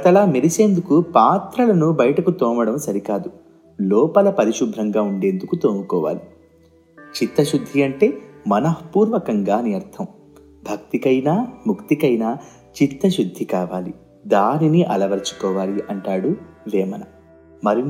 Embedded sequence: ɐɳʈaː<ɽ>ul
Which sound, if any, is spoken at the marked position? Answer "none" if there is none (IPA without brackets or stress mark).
ɽ